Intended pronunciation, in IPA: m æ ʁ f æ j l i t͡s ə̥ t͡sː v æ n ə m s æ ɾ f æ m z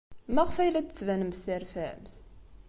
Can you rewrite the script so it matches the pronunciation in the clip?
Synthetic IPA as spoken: m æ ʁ f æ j l æ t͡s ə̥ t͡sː v æ n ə m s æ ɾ f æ m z